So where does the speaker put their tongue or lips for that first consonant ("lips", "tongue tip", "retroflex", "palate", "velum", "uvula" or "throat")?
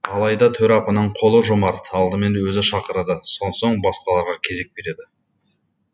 tongue tip